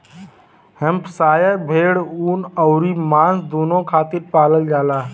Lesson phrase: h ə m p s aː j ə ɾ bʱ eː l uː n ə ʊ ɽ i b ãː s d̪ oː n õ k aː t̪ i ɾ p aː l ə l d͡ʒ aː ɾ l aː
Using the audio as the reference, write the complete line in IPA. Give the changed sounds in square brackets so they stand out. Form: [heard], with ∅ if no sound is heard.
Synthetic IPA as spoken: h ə m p s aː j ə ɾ bʱ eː [ɽ] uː n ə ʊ [ɾ] i [m] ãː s d̪ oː n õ [kʰ] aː t̪ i ɾ p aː l ə l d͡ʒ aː [∅] l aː